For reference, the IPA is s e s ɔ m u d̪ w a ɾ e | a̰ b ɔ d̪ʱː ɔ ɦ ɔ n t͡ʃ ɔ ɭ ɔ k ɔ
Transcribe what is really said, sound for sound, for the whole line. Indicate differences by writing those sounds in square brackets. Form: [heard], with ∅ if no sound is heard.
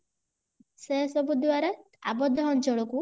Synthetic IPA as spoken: s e s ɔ [b] u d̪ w a ɾ [a] | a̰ b ɔ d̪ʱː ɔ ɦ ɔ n t͡ʃ ɔ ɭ ɔ k [u]

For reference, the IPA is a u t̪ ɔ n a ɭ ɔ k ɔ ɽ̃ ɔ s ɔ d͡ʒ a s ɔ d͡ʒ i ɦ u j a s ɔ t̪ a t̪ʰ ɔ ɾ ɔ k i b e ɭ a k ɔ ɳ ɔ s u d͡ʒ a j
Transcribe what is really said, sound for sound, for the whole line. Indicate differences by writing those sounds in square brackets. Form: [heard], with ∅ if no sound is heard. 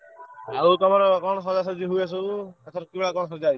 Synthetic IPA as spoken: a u t̪ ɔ [m] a [ɾ] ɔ k ɔ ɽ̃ ɔ s ɔ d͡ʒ a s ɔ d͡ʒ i ɦ u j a s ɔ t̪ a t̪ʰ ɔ ɾ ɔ k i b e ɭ a k ɔ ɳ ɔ s [ɔ] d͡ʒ a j

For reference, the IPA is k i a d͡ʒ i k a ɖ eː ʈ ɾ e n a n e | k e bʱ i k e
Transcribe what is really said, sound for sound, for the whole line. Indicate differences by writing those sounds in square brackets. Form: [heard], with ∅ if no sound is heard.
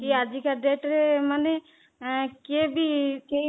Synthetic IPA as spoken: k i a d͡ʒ i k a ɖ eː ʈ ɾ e [m] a n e | k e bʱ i k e

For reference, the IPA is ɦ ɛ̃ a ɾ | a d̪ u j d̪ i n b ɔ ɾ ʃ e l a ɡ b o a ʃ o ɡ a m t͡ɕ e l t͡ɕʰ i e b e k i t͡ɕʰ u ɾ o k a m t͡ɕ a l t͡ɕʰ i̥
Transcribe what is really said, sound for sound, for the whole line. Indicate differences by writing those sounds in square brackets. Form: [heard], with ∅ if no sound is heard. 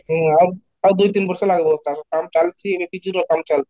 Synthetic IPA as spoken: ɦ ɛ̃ a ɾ | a d̪ u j [t̪] i n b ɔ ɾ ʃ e l a ɡ b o a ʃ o [k] a m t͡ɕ [a] l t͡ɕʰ i e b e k i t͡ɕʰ u ɾ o k a m t͡ɕ a l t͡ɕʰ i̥

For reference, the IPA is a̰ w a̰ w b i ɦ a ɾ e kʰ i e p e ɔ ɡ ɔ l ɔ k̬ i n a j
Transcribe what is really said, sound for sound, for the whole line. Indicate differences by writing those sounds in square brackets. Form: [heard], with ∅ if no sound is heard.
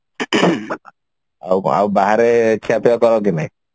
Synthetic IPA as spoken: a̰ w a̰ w b [a] ɦ a ɾ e kʰ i [a] p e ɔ [k] ɔ [ɾ] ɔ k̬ i n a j

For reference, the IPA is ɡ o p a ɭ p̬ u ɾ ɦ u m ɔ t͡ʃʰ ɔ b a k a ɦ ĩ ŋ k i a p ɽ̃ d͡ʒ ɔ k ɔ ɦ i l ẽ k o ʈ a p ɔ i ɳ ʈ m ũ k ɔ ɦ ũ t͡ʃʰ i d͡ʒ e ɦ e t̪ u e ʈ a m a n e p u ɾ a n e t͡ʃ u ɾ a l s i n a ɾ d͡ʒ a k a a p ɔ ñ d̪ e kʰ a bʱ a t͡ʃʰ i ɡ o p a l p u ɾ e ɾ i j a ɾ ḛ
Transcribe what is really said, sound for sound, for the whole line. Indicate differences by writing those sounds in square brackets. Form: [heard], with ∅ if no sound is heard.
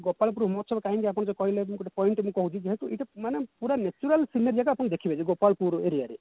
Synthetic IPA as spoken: ɡ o p a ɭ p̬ u ɾ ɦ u m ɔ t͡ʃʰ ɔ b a k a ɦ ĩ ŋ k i a p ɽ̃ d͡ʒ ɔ k ɔ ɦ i l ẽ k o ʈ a p ɔ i ɳ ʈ m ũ k ɔ ɦ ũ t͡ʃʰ i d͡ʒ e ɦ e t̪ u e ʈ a m a n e p u ɾ a n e t͡ʃ u ɾ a l s i n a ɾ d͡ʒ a k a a p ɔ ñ d̪ e kʰ [i] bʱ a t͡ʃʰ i ɡ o p a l p u ɾ e ɾ i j a ɾ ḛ

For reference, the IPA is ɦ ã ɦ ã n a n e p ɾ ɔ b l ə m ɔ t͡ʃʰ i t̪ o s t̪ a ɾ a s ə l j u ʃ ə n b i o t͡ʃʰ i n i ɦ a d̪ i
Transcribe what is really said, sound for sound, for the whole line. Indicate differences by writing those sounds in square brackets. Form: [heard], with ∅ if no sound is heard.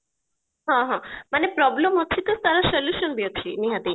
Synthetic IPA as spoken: ɦ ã ɦ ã [m] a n e p ɾ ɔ b l ə m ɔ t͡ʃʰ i t̪ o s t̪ a ɾ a s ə l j u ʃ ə n b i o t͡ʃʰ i n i ɦ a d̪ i

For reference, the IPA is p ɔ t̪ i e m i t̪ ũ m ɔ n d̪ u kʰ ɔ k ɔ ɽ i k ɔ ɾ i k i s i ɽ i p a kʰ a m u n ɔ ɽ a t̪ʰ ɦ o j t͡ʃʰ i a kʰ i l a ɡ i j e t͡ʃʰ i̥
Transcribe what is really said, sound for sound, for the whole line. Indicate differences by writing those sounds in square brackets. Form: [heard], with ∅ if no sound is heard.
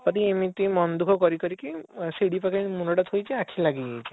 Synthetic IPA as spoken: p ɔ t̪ i e m i t̪ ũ m ɔ n d̪ u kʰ ɔ k ɔ [ɾ] i k ɔ ɾ i k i s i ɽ i p a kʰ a m u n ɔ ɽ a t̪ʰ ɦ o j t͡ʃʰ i a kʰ i l a ɡ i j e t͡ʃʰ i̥

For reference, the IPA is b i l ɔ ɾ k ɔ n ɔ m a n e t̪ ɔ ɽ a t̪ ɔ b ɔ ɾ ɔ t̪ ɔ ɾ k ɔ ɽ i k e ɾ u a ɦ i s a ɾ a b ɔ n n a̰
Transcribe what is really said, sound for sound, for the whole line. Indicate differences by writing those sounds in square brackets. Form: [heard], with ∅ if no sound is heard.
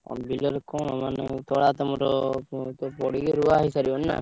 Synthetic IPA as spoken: b i l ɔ ɾ k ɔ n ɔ m a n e t̪ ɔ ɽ a t̪ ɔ [m] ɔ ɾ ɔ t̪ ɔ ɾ [p] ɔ ɽ i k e ɾ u a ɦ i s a ɾ [i] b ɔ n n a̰

